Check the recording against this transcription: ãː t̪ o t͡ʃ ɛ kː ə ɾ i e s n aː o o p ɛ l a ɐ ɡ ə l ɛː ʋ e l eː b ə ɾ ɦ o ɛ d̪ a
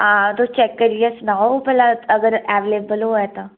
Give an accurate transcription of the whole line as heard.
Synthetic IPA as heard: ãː t̪ o t͡ʃ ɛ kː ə ɾ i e s n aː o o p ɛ l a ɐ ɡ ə ɾ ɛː ʋ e l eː b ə l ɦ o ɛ t̪ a